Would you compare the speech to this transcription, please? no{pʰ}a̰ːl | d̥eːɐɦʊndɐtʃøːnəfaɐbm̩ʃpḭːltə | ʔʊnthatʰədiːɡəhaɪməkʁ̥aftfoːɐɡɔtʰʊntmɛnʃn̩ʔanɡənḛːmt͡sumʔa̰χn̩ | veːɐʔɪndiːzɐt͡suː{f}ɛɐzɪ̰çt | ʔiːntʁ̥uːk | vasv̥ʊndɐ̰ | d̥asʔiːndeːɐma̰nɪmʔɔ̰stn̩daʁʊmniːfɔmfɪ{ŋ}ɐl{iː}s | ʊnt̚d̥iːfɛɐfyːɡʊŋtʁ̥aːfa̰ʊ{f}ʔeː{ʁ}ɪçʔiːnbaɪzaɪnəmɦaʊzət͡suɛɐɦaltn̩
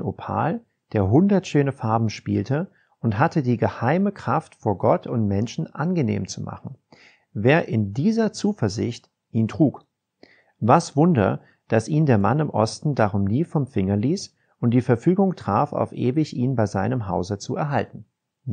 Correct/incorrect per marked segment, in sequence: correct, correct, correct, correct, correct, incorrect: v

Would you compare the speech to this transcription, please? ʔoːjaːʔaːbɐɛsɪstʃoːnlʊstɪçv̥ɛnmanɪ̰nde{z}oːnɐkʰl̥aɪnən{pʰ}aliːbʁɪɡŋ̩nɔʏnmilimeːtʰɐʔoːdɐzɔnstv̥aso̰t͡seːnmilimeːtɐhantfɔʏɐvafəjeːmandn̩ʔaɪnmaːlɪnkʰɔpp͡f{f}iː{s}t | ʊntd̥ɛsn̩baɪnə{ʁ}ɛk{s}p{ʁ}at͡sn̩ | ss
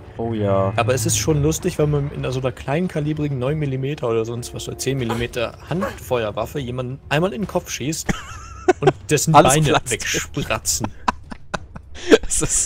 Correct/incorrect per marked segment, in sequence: correct, incorrect: kʰ, incorrect: ʃ, correct, incorrect: v, incorrect: ʃ, correct

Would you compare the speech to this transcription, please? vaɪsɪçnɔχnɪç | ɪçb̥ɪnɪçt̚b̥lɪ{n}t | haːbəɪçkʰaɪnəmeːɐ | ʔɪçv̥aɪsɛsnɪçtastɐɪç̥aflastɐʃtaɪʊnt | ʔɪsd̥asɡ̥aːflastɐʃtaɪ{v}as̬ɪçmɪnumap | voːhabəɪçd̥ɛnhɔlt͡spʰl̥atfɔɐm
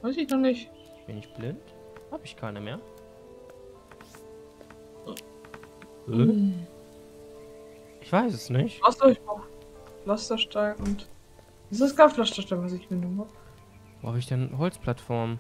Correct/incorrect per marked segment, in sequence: correct, correct

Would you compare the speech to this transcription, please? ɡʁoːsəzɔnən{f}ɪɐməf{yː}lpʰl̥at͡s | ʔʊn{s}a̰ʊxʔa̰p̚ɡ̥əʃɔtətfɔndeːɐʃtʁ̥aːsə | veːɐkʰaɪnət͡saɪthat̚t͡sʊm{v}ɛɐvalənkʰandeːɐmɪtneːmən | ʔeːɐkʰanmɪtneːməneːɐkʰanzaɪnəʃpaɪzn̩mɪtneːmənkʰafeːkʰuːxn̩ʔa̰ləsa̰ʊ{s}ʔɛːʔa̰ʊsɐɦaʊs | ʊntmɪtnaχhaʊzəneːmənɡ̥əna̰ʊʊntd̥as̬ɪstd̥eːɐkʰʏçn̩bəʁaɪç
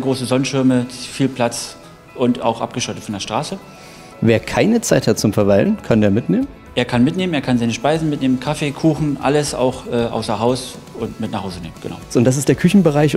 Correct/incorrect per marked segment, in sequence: incorrect: ʃ, incorrect: iː, incorrect: t, incorrect: f, incorrect: x

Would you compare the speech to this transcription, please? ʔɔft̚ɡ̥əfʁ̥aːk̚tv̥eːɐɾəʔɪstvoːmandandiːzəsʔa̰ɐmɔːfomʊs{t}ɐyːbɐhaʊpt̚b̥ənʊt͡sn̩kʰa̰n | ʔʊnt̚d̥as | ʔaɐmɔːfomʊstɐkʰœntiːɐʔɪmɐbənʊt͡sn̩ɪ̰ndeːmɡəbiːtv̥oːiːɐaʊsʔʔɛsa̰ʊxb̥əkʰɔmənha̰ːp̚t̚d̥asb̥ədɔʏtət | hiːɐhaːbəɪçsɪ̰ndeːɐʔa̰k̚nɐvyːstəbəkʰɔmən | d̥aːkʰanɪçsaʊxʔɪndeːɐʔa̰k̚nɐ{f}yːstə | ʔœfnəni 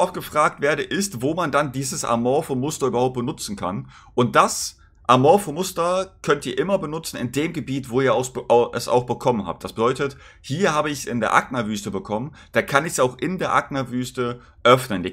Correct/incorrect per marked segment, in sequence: correct, incorrect: v

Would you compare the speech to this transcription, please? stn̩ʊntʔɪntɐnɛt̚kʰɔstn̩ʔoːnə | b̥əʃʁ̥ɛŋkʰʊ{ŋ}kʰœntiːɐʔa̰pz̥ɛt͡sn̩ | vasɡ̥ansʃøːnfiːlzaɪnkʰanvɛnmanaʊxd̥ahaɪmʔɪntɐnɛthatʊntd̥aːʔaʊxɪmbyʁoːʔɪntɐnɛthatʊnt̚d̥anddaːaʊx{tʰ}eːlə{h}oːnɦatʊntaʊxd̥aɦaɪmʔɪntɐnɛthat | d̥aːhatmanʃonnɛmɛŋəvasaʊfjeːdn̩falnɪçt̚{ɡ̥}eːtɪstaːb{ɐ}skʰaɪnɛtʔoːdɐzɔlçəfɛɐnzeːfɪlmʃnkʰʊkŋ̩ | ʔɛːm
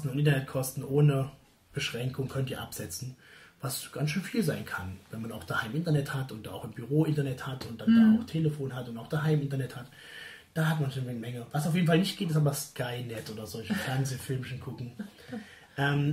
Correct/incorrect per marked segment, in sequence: correct, correct, incorrect: f, correct, correct

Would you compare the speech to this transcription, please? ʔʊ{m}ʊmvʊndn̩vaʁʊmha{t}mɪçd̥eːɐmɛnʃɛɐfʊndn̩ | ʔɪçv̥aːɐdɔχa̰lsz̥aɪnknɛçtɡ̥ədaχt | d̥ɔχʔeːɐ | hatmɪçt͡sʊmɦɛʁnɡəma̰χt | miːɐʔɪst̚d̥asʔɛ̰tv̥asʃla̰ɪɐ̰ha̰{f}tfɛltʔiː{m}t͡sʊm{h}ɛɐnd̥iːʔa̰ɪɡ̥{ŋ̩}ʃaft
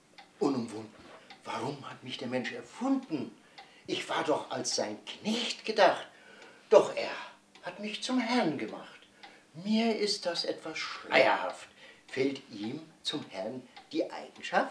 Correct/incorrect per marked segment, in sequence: incorrect: n, correct, correct, correct, correct, correct

